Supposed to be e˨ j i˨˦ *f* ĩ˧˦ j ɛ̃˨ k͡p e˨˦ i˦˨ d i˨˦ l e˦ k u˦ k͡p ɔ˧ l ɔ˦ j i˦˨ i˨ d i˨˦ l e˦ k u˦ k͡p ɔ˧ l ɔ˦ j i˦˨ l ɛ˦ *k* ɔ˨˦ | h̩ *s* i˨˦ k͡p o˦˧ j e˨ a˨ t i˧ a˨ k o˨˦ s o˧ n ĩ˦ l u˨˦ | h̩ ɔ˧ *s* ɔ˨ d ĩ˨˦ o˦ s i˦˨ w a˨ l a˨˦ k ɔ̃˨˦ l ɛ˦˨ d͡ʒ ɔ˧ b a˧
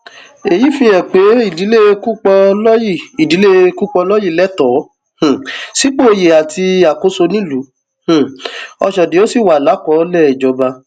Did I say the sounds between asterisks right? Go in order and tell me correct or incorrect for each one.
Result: correct, incorrect, correct, incorrect

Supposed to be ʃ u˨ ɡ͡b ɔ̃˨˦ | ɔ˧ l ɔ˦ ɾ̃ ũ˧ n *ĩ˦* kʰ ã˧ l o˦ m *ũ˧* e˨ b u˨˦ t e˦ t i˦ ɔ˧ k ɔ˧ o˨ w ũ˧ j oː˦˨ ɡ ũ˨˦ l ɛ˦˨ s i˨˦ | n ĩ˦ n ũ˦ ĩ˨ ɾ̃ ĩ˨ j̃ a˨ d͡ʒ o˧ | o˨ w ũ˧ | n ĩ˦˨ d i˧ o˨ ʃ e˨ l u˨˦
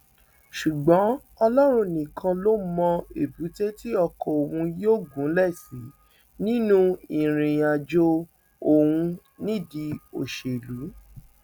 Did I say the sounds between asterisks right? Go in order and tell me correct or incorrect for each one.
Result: incorrect, incorrect

